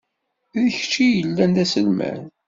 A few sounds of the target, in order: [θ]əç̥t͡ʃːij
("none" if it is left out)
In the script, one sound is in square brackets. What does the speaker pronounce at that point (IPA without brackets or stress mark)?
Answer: ð